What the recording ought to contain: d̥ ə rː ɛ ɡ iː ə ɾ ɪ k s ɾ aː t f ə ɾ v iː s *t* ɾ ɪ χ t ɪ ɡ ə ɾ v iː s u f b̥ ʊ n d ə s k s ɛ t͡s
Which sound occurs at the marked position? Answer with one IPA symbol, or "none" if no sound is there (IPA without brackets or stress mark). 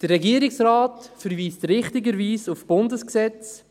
t